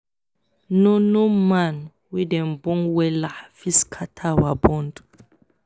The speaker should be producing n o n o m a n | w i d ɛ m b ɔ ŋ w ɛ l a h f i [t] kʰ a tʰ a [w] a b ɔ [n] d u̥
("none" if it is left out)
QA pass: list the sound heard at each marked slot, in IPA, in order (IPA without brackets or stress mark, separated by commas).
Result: s, w, n